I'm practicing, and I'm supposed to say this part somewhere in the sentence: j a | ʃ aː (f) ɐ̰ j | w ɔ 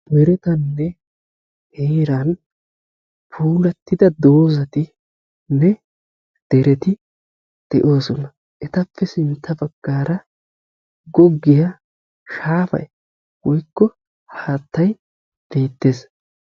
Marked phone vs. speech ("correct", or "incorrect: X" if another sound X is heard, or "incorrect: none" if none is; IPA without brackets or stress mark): correct